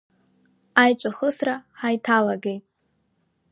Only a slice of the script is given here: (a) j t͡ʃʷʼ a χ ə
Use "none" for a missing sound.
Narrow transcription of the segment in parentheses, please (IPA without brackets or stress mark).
a